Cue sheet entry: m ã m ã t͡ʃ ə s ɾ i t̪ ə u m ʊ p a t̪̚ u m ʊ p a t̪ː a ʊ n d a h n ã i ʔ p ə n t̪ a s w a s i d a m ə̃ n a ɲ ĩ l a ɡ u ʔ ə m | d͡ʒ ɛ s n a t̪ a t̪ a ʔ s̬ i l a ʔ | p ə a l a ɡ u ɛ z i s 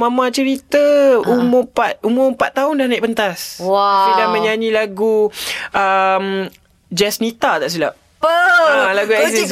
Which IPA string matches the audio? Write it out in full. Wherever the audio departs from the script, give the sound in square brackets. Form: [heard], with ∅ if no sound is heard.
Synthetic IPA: m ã m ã t͡ʃ ə [∅] ɾ i t̪ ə u m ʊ p a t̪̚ u m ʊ p a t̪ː a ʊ n d a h n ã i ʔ p ə n t̪ a s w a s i d a m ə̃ [ɲ] a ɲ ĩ l a ɡ u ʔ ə m | d͡ʒ ɛ s n [i] t̪ a t̪ a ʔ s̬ i l a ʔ | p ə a l a ɡ u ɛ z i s